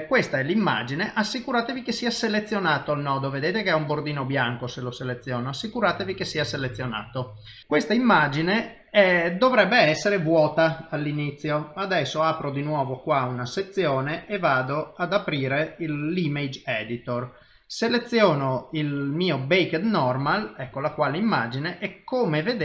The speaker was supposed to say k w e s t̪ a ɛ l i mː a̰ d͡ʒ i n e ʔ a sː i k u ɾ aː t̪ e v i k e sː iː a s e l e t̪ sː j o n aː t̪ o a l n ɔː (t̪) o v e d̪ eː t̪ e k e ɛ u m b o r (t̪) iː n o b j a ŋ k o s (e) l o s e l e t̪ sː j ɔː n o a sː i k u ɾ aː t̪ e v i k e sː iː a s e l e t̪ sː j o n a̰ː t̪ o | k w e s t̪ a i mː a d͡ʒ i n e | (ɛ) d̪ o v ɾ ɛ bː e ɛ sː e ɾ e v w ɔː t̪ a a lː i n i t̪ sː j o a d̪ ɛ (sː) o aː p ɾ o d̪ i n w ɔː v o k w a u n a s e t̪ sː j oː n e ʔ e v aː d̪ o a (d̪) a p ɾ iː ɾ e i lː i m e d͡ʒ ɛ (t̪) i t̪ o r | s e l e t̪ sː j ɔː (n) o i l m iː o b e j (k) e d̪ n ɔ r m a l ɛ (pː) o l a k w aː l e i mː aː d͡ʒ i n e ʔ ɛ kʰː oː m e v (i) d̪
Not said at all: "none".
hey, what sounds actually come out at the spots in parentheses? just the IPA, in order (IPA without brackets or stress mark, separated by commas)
d̪, d̪, e, ɛ, sː, d̪, d̪, n, k, kː, e